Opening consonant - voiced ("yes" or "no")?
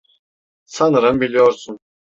no